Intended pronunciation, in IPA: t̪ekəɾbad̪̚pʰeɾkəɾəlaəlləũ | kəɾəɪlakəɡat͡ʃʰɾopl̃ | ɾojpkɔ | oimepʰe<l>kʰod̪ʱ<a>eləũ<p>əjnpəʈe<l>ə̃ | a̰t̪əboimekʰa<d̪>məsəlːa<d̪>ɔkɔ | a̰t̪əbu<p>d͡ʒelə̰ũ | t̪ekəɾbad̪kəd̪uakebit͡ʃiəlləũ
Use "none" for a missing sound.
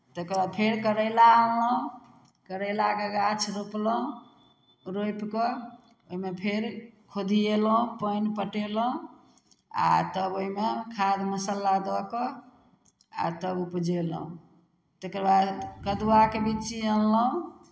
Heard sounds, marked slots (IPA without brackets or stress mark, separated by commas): ɾ, i, p, l, d̪, d̪, p